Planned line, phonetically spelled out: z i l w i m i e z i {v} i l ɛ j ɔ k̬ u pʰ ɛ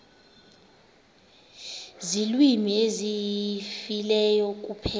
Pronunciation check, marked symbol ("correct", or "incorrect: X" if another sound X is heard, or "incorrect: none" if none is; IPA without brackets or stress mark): incorrect: f